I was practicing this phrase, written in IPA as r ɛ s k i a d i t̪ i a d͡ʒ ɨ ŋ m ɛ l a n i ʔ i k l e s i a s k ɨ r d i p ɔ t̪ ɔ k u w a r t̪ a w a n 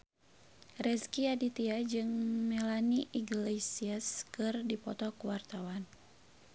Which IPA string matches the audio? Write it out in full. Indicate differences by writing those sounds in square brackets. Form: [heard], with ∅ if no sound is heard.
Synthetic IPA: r ɛ s k i a d i t̪ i a d͡ʒ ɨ ŋ m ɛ l a n i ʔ i [ɡ] l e s i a s k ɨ r d i p ɔ t̪ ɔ k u w a r t̪ a w a n